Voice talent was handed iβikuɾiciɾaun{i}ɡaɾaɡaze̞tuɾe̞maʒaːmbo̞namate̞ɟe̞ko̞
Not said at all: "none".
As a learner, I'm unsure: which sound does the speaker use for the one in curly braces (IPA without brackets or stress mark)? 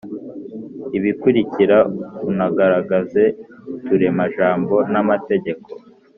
a